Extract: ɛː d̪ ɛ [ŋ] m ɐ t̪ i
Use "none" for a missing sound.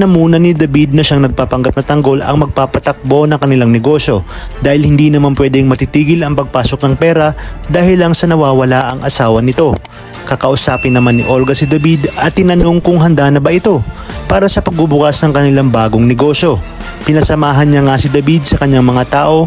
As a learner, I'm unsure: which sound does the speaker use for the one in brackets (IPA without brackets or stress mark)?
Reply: ŋ